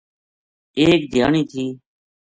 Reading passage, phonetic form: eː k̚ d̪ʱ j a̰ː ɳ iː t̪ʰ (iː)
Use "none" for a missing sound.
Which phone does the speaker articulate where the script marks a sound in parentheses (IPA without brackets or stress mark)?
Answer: iː